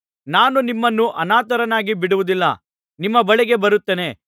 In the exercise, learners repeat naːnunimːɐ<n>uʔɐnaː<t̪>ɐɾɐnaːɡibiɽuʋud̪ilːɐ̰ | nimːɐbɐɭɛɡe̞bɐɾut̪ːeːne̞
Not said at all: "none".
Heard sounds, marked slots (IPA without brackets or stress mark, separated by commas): nː, t̪